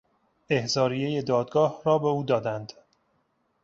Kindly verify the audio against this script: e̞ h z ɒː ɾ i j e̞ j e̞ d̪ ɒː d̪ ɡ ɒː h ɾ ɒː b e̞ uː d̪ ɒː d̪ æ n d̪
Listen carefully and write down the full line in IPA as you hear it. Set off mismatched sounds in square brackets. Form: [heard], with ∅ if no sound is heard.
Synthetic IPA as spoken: e̞ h z ɒː ɾ i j e̞ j e̞ d̪ ɒː d̪ ɡ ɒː h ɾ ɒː b e̞ uː d̪ ɒː d̪ æ n d̪